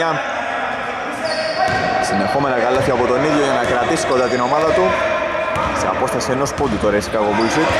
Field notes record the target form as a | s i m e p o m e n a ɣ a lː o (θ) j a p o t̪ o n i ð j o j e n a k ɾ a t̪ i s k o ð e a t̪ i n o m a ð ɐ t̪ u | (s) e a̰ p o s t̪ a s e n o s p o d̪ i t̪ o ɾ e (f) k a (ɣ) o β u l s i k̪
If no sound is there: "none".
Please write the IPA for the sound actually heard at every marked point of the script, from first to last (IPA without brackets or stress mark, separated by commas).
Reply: θ, s, s, ɣ